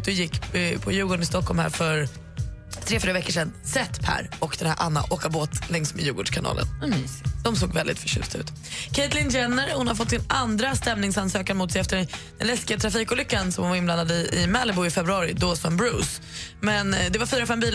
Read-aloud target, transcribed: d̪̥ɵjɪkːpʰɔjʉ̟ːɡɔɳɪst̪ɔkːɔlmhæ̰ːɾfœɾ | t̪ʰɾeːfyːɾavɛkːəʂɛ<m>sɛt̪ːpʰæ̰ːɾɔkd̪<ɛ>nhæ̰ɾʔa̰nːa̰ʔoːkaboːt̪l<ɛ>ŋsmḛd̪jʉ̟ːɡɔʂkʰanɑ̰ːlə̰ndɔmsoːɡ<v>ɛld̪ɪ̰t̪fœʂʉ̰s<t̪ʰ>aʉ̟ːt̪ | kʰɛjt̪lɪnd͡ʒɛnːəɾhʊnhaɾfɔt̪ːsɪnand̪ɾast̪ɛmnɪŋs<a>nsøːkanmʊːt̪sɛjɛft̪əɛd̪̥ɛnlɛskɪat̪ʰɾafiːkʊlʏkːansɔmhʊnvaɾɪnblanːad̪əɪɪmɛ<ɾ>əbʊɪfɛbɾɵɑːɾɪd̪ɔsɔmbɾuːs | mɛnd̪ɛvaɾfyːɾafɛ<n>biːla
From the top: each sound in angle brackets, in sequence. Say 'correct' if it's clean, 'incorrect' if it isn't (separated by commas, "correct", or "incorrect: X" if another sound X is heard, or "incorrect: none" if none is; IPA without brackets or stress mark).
incorrect: n, correct, correct, correct, incorrect: t̪, correct, incorrect: l, incorrect: m